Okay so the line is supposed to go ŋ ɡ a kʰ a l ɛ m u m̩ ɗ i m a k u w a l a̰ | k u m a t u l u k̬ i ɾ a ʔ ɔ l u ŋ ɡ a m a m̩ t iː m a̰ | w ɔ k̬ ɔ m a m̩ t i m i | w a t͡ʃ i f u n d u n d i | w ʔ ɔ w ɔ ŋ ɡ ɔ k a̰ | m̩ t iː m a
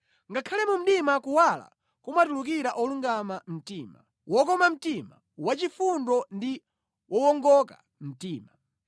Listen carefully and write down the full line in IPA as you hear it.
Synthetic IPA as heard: ŋ ɡ a kʰ a l ɛ m u m̩ ɗ i m a k u w a l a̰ | k u m a t u l u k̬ i ɾ a ʔ ɔ l u ŋ ɡ a m a m̩ t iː m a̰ | w ɔ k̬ ɔ m a m̩ t i m a | w a t͡ʃ i f u n d ɔ n d i | w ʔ ɔ w ɔ ŋ ɡ ɔ k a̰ | m̩ t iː m a